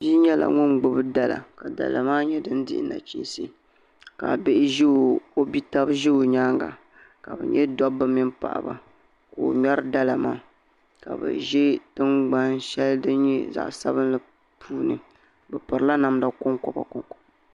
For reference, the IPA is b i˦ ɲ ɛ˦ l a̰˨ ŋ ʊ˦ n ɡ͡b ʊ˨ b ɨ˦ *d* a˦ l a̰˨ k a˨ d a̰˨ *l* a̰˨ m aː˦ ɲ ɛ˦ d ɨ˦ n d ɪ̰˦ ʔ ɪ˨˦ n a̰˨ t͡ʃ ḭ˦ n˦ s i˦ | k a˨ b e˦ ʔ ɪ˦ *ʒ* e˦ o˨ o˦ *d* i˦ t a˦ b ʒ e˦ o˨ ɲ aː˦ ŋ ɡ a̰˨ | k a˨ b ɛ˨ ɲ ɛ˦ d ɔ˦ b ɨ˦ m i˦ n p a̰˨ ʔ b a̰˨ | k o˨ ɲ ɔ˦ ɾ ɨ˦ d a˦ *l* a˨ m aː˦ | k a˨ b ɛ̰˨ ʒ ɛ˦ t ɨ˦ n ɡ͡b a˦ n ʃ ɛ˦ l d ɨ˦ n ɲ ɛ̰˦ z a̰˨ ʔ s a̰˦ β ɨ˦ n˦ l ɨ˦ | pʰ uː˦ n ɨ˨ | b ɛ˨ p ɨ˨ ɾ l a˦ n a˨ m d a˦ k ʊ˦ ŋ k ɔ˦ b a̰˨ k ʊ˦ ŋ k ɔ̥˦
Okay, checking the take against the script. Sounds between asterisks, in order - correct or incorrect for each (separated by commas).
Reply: correct, correct, correct, incorrect, correct